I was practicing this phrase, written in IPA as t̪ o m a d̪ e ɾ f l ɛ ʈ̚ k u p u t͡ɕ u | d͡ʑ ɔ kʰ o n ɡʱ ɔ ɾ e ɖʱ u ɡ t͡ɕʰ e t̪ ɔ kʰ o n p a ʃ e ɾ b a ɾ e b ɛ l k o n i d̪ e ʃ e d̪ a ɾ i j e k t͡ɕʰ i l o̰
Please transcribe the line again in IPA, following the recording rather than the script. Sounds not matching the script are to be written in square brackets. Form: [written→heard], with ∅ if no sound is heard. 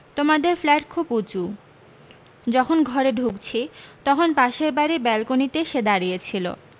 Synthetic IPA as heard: t̪ o m a d̪ e ɾ f l ɛ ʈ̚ [k→kʰ] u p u t͡ɕ u | d͡ʑ ɔ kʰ o n ɡʱ ɔ ɾ e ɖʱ u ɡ t͡ɕʰ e t̪ ɔ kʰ o n p a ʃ e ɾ b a ɾ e b ɛ l k o n i [d̪→t̪] e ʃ e d̪ a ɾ i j e [k→∅] t͡ɕʰ i l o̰